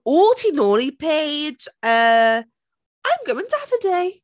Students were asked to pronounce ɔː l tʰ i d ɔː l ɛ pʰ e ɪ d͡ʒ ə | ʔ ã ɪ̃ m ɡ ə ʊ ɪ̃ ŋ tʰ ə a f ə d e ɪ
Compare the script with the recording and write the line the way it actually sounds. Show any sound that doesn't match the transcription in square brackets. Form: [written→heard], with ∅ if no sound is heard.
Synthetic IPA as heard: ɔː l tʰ i [d→n] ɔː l [ɛ→i] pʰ e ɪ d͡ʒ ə | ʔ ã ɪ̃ m ɡ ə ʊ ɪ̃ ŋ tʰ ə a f ə d e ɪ